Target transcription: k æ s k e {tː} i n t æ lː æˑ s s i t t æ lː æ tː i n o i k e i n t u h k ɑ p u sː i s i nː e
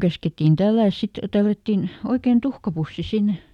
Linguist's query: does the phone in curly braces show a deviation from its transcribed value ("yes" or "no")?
no